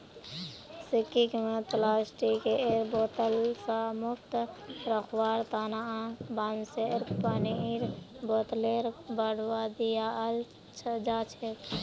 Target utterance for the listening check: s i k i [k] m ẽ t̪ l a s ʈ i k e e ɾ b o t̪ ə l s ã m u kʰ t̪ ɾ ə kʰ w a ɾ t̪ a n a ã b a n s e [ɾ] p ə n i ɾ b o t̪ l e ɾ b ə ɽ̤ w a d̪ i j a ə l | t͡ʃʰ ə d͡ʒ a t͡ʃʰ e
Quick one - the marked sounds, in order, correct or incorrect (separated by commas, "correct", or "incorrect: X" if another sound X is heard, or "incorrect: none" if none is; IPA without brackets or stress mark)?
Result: correct, correct